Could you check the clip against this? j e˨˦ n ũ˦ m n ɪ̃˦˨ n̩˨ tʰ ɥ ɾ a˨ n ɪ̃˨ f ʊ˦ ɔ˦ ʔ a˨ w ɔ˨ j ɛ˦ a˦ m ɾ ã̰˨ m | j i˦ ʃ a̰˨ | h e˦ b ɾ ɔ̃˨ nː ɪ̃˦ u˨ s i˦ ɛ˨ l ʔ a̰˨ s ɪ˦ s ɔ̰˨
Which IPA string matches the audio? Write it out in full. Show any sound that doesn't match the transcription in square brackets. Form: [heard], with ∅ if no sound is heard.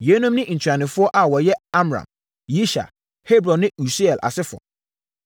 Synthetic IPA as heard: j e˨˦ n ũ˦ m n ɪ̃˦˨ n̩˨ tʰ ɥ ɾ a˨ n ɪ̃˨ f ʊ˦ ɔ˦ ʔ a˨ w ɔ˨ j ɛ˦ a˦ m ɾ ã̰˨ m | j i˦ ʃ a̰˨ | h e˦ b ɾ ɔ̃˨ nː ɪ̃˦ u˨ s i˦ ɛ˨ l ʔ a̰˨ s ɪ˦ [f] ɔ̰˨